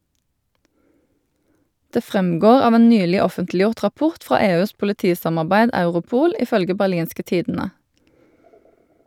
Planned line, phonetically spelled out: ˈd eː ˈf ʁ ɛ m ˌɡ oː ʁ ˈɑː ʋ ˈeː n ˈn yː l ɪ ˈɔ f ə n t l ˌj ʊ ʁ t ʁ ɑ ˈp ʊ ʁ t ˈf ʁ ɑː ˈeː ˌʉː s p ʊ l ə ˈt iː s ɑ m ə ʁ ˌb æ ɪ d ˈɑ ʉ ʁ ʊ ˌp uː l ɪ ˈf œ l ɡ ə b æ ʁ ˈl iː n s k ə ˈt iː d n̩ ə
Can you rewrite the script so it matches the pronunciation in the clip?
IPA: ˈd eː ˈf ʁ ɛ m ˌɡ oː ʁ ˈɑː ʋ ˈeː n ˈn yː l ɪ ˈɔ f ə n t l ˌj ʊ ʁ t ʁ ɑ ˈp ʊ ʁ t ˈf ʁ ɑː ˈeː ˌʉː s p ʊ l ə ˈt iː s ɑ m ɑ ʁ ˌb æ ɪ d ˈɑ ʉ ʁ ʊ ˌp uː l ɪ ˈf œ l ɡ ə b æ ʁ ˈl iː n s k ə ˈt iː d n̩ ə